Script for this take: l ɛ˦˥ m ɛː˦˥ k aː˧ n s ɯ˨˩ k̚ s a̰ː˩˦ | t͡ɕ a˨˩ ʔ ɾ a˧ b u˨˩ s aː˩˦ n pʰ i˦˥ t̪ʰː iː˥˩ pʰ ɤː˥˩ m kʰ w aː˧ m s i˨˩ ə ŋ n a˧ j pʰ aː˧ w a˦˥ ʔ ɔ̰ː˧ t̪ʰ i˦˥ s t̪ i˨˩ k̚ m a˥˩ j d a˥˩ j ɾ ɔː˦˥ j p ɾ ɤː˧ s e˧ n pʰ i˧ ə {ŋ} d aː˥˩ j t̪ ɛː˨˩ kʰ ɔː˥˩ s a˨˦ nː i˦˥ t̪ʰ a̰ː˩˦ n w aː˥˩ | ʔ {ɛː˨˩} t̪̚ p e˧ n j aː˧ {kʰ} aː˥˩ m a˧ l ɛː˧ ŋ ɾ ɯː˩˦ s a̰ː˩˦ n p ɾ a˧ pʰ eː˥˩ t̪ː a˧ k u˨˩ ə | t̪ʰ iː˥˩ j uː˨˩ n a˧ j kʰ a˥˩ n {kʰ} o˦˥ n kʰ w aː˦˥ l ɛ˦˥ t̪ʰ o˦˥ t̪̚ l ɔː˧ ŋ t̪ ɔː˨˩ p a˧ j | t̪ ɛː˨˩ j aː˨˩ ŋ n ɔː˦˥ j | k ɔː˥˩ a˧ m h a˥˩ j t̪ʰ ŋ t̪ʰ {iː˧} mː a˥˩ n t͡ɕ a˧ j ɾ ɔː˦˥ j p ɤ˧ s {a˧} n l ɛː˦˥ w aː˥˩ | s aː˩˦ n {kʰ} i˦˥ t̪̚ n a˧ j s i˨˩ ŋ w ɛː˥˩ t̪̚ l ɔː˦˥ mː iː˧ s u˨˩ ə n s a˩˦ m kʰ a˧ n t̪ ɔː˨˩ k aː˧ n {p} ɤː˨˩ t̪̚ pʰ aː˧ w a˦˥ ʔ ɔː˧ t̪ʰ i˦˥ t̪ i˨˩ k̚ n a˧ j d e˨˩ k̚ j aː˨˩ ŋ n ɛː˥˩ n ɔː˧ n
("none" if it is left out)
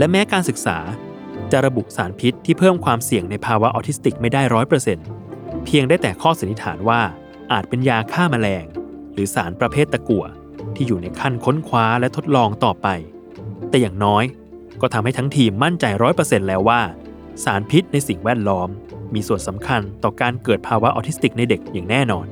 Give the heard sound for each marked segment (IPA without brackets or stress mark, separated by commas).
ŋ, aː˨˩, kʰ, kʰ, iː˧, e˧, pʰ, k